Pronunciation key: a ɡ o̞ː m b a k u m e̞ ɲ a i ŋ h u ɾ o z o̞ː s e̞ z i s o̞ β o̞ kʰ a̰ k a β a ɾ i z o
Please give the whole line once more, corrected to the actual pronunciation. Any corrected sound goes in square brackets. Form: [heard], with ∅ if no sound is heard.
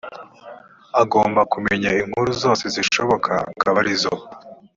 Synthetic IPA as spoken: a ɡ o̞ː m b a k u m e̞ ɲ a i ŋ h u ɾ [u] z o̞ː s e̞ z i [ʃ] o̞ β o̞ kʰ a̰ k a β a ɾ i z o